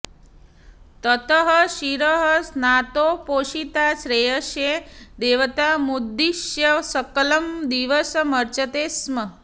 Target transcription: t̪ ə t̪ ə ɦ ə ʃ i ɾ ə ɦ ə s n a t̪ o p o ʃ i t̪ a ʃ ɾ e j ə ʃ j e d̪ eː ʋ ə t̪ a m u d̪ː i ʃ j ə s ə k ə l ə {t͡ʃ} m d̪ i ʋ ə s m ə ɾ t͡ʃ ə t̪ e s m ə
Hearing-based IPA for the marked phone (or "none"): none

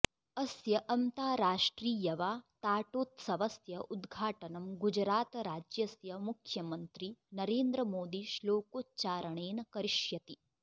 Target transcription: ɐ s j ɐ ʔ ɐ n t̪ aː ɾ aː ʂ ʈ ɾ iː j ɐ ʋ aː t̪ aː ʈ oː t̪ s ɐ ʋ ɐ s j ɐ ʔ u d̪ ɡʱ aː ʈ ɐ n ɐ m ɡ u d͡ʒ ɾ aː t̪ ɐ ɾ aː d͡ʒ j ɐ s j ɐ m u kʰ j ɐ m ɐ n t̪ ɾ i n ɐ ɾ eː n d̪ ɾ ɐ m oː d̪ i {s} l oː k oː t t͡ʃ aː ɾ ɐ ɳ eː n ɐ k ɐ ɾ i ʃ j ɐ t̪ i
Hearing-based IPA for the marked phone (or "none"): ʃ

